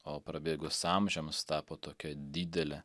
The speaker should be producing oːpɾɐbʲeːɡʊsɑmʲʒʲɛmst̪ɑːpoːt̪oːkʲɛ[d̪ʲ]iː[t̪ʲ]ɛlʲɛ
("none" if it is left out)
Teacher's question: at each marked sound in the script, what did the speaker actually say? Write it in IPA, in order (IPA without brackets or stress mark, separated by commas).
d̪ʲ, d̪ʲ